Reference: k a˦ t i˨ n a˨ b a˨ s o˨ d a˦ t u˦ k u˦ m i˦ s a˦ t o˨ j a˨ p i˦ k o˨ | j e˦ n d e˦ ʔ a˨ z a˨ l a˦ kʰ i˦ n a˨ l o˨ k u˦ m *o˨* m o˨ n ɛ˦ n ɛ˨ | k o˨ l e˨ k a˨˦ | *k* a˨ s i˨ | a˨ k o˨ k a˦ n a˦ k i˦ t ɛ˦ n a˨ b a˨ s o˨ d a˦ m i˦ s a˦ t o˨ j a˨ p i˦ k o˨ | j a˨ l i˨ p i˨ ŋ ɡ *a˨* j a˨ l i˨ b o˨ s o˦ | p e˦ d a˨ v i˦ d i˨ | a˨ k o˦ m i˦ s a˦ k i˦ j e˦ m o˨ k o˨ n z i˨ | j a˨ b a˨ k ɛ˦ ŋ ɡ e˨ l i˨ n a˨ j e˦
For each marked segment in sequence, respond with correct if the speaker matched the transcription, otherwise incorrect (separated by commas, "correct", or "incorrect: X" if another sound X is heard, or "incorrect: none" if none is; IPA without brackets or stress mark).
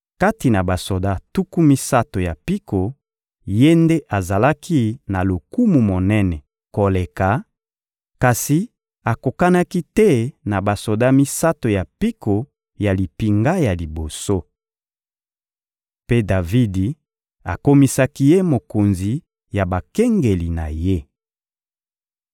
incorrect: u˨, correct, incorrect: a˦